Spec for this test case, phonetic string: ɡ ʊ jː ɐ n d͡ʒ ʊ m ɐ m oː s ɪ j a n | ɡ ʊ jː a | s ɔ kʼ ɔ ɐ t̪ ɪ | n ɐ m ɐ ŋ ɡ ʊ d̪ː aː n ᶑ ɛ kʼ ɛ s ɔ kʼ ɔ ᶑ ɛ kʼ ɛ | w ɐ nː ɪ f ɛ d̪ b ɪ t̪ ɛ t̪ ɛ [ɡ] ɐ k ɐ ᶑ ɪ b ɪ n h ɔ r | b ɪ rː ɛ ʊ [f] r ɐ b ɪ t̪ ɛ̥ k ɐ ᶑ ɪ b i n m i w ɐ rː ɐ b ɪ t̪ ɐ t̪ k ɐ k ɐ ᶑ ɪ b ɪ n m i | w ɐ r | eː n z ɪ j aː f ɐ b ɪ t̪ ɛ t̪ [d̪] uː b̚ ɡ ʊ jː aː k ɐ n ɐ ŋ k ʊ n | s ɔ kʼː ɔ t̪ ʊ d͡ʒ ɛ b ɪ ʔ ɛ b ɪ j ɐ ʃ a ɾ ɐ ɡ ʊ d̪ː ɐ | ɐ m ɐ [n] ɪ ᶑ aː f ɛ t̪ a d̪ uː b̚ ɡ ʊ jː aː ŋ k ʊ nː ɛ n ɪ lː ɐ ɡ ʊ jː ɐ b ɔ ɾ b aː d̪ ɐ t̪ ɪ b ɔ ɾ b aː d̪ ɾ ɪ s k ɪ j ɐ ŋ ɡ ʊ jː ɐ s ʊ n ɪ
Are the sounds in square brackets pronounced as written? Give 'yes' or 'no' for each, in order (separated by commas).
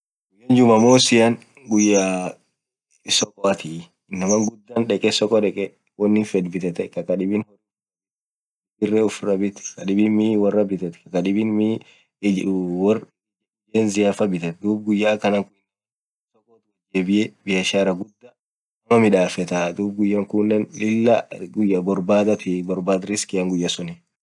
no, yes, yes, no